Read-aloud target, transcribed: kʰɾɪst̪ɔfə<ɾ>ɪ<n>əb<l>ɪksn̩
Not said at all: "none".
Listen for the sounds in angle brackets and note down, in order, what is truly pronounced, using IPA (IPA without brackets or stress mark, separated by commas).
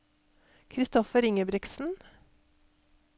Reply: ɾ, ŋ, ɾ